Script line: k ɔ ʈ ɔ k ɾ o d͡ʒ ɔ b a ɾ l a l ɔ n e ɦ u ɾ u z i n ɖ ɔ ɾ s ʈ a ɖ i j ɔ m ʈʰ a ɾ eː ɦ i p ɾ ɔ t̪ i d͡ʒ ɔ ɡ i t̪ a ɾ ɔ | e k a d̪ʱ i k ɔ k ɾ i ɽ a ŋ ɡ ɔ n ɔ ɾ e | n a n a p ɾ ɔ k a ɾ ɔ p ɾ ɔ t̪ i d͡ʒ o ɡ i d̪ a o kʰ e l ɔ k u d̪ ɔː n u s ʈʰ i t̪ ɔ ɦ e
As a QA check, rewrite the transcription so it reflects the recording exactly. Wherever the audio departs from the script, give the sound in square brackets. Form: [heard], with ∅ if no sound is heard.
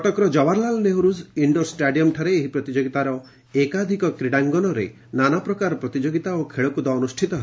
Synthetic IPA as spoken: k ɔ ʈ ɔ k ɾ [ɔ] d͡ʒ ɔ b a ɾ l a l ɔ n e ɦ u ɾ u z i [ɳ] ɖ ɔ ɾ s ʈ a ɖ i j ɔ m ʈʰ a ɾ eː ɦ i p ɾ ɔ t̪ i d͡ʒ [o] ɡ i t̪ a ɾ ɔ | e k a d̪ʱ i k ɔ k ɾ i ɽ a ŋ ɡ ɔ n ɔ ɾ e | n a n a p ɾ ɔ k a ɾ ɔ p ɾ ɔ t̪ i d͡ʒ o ɡ i [t̪] a o kʰ e [ɭ] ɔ k u d̪ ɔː n u s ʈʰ i t̪ ɔ ɦ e